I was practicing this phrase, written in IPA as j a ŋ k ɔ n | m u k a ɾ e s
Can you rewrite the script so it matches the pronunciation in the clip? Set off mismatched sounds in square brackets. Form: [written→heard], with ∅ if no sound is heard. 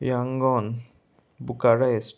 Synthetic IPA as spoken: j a ŋ [k→ɡ] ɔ n | [m→b] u k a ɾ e s